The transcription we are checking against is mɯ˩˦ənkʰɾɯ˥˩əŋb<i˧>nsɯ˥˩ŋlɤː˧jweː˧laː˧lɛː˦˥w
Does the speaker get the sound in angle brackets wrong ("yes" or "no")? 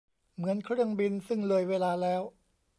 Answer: no